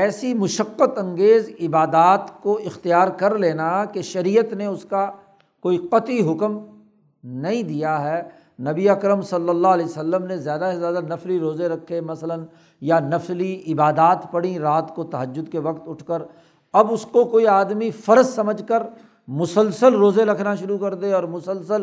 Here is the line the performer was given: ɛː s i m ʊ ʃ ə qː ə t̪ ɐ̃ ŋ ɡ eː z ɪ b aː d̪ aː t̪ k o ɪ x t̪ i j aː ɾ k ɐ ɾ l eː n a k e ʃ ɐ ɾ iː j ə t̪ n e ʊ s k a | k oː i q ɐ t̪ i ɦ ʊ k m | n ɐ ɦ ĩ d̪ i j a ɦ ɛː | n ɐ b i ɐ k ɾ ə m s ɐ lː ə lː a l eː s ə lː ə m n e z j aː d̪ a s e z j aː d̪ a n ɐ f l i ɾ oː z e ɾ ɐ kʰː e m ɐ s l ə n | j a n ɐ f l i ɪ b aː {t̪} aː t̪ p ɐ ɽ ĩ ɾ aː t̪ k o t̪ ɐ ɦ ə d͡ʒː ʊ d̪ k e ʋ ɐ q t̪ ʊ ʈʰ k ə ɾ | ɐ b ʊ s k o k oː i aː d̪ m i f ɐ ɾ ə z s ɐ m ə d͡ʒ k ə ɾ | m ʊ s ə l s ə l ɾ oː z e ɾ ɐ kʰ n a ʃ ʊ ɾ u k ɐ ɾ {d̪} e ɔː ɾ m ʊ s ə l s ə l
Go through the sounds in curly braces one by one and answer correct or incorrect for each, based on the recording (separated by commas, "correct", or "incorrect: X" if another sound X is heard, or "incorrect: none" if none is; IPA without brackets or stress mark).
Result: incorrect: d̪, correct